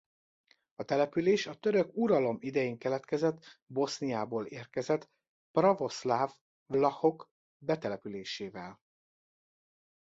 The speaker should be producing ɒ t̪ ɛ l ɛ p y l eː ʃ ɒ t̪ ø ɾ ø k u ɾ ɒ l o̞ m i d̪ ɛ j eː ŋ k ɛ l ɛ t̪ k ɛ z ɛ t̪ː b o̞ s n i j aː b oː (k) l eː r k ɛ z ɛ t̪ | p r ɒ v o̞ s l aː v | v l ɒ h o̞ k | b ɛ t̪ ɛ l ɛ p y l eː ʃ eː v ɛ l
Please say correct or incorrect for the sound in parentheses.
incorrect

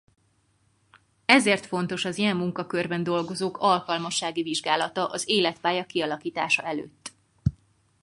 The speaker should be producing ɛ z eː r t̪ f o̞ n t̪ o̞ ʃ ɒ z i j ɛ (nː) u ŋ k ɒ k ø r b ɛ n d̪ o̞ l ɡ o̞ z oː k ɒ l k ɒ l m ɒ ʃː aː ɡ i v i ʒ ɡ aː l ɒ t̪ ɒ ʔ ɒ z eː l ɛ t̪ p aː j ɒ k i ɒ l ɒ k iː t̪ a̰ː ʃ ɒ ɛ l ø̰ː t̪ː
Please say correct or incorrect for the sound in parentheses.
incorrect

